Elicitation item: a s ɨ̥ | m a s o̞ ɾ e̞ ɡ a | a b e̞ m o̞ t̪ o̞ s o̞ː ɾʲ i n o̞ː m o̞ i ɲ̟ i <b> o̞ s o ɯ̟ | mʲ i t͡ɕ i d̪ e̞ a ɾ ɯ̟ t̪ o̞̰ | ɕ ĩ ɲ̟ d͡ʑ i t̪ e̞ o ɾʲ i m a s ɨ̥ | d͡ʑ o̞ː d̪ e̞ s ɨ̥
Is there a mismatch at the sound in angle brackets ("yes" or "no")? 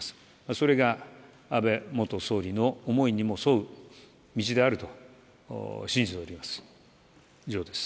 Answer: yes